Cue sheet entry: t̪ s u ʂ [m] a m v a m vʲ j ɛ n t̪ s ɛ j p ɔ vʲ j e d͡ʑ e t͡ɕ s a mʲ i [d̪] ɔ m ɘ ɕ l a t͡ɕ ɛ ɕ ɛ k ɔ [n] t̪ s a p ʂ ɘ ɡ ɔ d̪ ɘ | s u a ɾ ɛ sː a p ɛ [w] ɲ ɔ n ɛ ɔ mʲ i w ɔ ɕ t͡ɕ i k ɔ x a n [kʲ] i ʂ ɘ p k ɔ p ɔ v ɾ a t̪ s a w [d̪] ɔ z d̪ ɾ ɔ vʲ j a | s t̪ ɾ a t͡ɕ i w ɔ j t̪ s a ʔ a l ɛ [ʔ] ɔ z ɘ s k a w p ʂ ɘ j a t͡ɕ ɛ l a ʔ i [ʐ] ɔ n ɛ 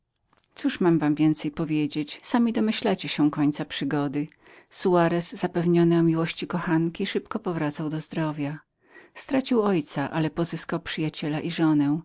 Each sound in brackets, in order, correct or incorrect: correct, correct, incorrect: ɲ, incorrect: v, correct, correct, incorrect: p, correct

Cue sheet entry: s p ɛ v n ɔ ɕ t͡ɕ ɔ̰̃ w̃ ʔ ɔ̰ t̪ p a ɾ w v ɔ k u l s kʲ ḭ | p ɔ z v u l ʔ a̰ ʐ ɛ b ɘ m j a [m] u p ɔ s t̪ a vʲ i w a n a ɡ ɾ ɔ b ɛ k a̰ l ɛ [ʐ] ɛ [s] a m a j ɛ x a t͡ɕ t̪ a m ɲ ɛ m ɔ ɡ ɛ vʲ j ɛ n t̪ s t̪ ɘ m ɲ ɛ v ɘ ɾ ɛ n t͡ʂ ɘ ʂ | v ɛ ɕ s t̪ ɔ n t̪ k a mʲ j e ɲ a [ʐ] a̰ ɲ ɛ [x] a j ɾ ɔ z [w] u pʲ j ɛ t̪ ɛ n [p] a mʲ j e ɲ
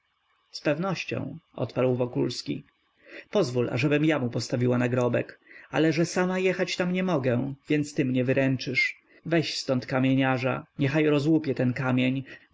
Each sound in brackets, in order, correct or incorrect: correct, correct, correct, correct, correct, correct, incorrect: k

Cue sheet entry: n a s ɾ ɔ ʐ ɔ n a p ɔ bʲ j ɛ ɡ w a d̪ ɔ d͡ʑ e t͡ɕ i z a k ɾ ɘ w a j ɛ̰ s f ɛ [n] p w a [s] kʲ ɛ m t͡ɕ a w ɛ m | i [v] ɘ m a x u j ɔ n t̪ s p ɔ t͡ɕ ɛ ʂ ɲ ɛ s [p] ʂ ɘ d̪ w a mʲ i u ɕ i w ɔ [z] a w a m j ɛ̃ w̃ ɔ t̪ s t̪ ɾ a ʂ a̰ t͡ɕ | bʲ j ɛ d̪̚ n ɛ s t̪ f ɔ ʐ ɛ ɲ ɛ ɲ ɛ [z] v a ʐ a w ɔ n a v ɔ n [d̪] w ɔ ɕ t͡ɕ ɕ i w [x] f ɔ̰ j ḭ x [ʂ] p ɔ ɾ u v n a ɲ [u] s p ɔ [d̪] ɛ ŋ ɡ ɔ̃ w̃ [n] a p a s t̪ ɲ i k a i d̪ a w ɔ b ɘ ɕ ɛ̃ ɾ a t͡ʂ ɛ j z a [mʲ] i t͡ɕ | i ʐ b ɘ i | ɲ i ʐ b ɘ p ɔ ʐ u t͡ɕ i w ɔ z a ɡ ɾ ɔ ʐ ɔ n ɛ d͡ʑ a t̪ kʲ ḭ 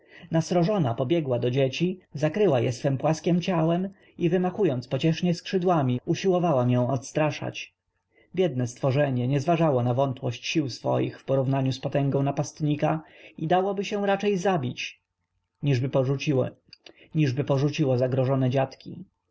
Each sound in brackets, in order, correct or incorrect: incorrect: m, correct, correct, incorrect: k, incorrect: v, correct, incorrect: t̪, incorrect: s, incorrect: f, correct, incorrect: t̪, correct, incorrect: bʲ

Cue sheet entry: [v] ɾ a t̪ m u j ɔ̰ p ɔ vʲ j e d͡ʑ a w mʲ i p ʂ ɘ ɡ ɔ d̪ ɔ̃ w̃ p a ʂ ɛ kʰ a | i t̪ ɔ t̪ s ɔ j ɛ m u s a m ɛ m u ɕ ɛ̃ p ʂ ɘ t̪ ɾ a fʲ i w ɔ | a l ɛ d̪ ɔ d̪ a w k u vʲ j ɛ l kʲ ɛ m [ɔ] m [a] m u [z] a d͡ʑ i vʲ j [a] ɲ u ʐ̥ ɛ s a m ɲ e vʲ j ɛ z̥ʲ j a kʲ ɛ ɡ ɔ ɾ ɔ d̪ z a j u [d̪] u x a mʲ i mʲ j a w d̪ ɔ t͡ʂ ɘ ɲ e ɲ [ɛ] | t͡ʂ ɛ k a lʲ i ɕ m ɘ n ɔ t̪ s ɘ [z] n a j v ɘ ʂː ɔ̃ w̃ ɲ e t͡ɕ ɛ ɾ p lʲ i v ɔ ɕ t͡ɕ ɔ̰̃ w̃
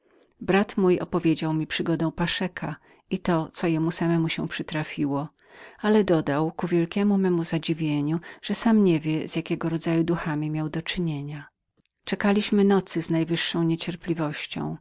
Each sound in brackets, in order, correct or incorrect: incorrect: b, incorrect: u, incorrect: ɛ, correct, incorrect: e, correct, incorrect: a, correct

